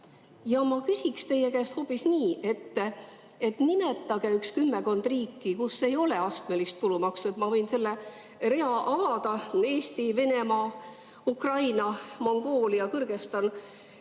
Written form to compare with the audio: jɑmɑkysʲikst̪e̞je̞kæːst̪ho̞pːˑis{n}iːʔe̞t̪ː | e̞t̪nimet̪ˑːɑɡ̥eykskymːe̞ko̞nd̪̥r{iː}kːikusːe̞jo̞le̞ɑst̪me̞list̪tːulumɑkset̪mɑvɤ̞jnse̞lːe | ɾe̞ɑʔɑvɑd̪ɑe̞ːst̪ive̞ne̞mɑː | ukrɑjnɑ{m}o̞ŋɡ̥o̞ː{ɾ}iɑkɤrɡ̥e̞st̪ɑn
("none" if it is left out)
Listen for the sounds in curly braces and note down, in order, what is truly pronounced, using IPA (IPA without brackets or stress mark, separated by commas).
n, iː, m, l